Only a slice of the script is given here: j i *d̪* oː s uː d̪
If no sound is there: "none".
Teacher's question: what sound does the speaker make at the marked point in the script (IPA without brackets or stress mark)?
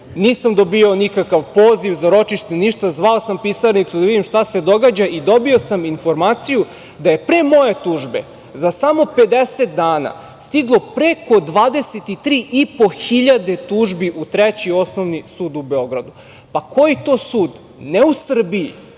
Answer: t̪